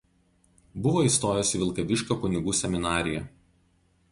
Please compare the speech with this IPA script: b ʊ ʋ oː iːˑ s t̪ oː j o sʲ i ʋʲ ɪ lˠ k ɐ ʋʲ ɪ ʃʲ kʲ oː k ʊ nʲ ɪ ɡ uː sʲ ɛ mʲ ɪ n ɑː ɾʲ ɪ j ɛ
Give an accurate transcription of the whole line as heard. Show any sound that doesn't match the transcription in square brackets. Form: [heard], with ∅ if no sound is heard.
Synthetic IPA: b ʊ ʋ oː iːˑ s t̪ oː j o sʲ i ʋʲ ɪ lˠ k ɐ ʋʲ ɪ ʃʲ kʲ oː k ʊ nʲ ɪ ɡ uː sʲ ɛ mʲ ɪ n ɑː ɾʲ ɪ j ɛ